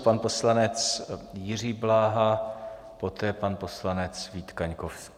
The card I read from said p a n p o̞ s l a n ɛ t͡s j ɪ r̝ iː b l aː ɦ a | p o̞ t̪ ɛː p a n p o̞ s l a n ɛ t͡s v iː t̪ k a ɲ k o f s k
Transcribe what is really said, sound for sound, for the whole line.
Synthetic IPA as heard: p a n p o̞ s l a n ɛ t͡s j ɪ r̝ iː b l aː ɦ a | p o̞ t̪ ɛː p a n p o̞ s l a n ɛ t͡s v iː t̪ k a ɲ k o f s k